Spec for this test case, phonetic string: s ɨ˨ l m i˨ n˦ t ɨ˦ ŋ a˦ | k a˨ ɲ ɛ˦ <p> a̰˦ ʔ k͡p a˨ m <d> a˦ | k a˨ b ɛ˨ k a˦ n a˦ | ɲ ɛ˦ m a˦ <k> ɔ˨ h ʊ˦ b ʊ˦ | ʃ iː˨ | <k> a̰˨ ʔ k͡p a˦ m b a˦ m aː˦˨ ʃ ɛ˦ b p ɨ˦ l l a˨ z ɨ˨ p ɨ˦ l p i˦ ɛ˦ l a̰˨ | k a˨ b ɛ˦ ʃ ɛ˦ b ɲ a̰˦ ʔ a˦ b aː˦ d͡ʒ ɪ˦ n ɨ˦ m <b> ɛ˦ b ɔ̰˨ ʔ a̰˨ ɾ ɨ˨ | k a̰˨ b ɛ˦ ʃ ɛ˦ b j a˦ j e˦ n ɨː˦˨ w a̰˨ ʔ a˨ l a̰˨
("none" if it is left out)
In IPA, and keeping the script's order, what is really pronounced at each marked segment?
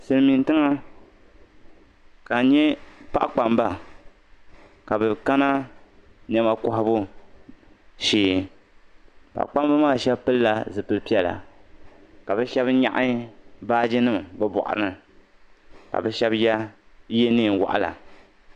p, b, k, p, b

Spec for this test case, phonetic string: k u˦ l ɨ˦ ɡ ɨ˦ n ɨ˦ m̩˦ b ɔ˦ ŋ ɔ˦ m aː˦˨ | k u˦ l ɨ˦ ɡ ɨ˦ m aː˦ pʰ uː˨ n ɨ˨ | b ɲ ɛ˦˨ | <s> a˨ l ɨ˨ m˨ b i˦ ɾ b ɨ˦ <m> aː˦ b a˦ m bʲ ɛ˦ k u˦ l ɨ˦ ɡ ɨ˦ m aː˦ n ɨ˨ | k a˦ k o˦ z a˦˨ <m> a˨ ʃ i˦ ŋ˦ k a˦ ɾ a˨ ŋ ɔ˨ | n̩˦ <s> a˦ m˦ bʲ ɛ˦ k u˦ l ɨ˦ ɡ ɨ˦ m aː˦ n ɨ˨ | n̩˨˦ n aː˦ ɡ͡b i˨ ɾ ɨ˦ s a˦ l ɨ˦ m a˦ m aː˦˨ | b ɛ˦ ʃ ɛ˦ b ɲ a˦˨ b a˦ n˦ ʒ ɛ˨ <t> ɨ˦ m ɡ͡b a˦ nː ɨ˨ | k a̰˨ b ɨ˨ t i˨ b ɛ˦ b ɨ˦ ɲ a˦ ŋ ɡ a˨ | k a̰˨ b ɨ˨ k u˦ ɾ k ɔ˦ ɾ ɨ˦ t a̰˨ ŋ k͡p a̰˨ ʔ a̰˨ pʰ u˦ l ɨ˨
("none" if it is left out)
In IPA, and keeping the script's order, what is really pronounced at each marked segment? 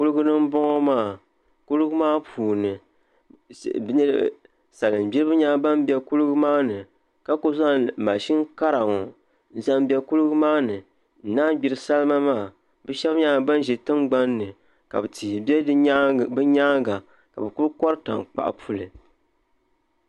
s, ɲ, m, z, t

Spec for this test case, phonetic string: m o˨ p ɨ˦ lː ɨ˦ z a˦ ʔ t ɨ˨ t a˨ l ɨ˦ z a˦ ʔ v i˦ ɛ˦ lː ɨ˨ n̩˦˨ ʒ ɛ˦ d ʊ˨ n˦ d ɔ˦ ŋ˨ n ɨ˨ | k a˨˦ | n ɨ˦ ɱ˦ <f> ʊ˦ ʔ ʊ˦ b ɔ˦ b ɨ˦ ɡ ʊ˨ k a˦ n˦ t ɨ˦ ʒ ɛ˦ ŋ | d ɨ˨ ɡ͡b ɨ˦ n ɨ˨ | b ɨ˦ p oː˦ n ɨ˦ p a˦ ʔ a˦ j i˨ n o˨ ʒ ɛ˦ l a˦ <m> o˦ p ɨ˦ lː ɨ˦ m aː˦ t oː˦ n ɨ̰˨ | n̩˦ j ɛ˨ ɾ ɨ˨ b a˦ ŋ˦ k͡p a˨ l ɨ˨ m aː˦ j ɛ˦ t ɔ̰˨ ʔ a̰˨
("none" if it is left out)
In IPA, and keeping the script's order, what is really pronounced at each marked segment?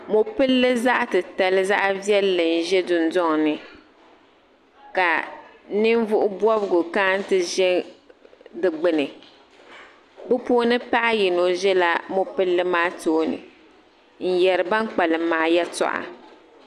v, m

